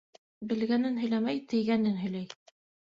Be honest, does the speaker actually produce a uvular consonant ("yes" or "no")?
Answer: no